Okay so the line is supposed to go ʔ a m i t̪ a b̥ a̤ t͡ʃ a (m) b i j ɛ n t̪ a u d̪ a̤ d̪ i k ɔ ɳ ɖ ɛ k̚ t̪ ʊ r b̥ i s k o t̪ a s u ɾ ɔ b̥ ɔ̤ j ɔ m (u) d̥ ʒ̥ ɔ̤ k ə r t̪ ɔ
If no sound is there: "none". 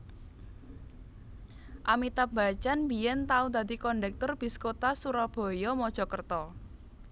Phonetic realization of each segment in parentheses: n, ɔ

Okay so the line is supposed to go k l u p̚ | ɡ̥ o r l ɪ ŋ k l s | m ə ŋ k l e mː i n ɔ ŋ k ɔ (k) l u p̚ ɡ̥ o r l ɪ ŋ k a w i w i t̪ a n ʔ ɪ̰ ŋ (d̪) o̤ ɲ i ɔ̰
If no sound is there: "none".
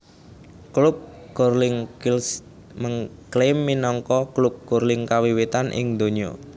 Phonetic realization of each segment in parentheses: k, d̪

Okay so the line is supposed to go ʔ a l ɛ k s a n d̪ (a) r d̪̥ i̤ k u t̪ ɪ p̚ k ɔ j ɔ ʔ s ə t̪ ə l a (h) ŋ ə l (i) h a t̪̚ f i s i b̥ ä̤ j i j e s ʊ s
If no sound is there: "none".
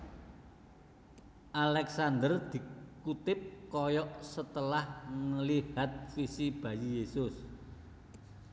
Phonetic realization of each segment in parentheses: ə, h, i

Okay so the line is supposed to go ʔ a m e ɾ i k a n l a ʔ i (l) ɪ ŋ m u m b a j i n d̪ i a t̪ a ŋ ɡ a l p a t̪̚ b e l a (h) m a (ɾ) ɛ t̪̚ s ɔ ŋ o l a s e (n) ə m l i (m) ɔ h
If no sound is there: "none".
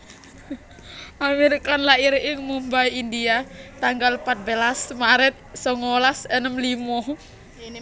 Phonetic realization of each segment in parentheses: ɾ, s, ɾ, n, m

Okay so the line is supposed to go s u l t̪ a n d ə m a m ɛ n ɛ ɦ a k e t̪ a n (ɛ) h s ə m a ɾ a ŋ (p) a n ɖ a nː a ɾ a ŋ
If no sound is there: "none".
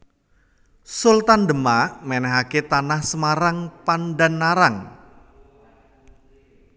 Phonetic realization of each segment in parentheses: a, p

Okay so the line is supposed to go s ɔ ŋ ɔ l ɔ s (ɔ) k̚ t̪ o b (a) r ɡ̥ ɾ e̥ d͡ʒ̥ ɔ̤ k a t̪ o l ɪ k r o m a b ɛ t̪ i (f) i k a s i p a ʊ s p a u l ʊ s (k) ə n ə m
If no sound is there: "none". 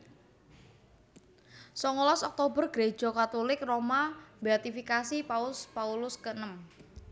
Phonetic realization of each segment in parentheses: ɔ, ə, f, k

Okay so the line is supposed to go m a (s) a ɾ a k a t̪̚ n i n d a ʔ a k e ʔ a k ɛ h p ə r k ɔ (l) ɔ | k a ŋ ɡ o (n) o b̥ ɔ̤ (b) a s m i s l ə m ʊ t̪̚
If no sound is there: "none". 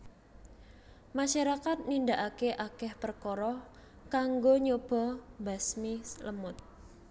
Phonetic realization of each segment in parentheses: ʃ, ɾ, ɲ, b

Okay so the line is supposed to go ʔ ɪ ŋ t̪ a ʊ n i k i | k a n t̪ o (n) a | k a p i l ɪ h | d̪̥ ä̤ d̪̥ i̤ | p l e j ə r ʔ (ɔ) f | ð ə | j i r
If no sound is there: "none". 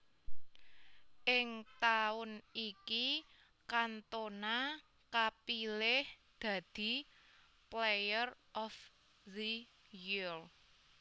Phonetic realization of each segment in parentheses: n, ɔ

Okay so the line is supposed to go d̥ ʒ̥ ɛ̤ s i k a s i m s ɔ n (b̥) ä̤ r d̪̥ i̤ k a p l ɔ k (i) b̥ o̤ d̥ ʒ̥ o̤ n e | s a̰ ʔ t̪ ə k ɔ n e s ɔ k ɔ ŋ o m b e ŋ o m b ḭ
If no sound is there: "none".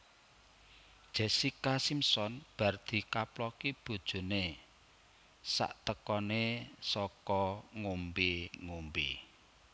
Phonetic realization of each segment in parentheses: b̥, i

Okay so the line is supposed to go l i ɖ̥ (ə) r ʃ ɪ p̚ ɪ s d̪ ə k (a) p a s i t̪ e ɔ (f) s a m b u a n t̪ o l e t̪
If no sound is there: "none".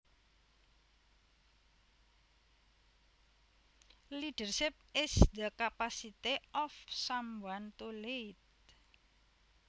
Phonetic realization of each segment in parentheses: ə, a, f

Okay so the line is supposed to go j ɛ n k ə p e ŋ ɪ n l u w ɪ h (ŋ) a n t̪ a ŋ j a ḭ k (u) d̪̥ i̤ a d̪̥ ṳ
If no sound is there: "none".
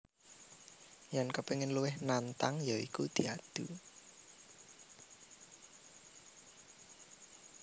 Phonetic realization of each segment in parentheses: n, u

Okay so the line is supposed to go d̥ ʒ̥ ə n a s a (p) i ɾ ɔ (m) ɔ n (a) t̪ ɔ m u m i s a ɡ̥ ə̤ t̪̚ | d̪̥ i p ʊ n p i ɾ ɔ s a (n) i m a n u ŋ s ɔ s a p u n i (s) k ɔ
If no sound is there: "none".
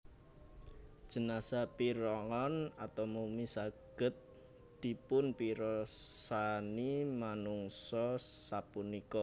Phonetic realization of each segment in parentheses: p, ŋ, a, n, none

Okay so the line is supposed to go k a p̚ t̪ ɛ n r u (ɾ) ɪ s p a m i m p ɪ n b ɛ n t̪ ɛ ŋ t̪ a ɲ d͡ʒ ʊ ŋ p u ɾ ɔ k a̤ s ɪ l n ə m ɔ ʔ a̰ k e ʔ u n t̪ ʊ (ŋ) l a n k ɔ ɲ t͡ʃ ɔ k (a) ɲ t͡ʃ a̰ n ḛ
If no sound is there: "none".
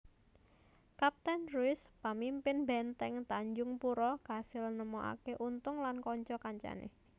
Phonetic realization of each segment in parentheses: none, ŋ, a

